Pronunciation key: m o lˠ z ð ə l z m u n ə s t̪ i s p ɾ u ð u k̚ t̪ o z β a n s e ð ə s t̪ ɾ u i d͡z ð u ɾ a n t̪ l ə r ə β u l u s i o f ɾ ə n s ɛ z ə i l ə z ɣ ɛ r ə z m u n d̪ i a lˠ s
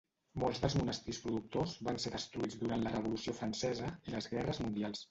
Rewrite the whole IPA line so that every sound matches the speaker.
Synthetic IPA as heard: m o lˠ z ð ə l z m u n ə s t̪ i s p ɾ u ð u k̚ t̪ o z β a n s e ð ə s t̪ ɾ u i d͡z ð u ɾ a n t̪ l ə r ə β u l u s i o f ɾ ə n s ɛ z ə i l ə z ɣ ɛ r ə z m u n d̪ i a lˠ s